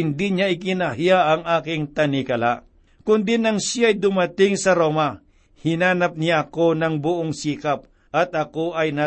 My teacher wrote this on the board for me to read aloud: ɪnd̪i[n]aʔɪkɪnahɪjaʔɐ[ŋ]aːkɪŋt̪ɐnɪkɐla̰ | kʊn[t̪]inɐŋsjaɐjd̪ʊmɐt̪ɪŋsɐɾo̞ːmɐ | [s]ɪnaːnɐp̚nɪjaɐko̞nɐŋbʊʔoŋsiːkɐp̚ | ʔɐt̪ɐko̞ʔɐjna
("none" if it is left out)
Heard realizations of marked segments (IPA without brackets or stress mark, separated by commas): ɲ, ŋ, d̪, h